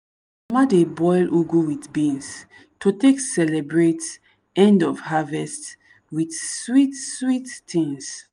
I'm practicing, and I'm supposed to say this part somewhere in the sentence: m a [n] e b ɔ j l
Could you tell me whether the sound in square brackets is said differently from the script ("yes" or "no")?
yes